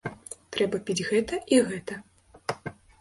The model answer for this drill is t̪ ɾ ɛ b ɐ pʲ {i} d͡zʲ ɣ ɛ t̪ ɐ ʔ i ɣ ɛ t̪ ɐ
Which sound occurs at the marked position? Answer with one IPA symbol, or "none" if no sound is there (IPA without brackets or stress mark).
i